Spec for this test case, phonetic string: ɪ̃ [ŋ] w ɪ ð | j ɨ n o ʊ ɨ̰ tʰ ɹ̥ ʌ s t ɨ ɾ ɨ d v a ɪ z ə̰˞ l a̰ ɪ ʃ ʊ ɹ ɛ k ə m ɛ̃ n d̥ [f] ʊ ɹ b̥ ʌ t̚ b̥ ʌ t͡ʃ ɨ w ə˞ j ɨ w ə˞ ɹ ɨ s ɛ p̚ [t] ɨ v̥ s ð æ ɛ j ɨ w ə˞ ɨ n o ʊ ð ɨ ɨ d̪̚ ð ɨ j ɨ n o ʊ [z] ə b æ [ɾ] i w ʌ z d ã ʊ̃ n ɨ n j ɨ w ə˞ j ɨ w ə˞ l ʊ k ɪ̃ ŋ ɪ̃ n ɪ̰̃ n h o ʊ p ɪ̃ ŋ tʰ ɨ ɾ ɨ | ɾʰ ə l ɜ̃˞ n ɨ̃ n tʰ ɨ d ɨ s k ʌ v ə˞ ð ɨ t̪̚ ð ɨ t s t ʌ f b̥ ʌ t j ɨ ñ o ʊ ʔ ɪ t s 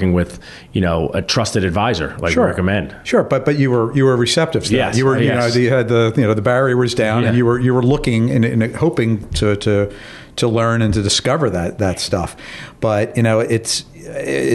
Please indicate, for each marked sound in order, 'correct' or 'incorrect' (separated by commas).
correct, incorrect, correct, incorrect, incorrect